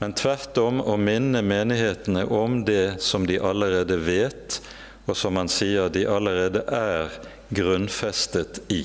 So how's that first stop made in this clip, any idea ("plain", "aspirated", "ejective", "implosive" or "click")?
aspirated